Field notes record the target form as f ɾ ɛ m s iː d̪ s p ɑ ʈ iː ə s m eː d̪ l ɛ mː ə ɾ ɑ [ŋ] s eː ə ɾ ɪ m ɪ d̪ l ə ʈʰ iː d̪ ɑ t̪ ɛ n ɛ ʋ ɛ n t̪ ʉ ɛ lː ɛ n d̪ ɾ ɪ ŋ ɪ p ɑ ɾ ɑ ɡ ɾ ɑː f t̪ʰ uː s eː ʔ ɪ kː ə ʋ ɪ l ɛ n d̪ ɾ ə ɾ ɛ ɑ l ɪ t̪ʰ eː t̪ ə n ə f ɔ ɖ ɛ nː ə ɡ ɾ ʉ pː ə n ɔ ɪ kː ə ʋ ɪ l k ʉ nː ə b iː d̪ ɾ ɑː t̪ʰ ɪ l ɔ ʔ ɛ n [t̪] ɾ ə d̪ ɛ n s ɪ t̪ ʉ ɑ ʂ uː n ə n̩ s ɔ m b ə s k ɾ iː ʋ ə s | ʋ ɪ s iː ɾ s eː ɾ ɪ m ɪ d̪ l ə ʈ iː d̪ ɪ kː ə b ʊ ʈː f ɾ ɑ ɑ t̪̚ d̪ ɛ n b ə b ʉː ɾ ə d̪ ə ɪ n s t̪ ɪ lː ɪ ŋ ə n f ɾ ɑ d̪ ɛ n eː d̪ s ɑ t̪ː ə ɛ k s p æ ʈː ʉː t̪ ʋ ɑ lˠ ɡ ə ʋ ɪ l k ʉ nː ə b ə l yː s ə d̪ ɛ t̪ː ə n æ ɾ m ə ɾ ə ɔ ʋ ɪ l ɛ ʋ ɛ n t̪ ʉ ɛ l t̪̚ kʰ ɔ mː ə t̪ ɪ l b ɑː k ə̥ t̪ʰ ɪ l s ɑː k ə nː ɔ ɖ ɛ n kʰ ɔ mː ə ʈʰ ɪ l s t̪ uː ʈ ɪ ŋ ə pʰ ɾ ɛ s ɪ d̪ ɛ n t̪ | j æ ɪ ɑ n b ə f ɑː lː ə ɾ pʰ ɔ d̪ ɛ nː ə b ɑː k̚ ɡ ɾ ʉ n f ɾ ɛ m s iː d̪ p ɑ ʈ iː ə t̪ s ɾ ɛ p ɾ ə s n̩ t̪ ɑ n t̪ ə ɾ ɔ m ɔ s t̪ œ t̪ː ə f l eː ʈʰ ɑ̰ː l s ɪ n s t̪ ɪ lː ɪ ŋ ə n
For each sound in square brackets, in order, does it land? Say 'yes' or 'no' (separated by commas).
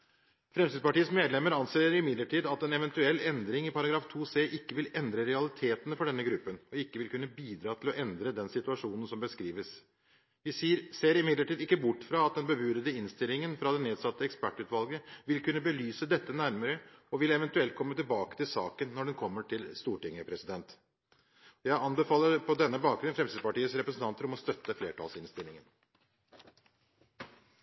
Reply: no, no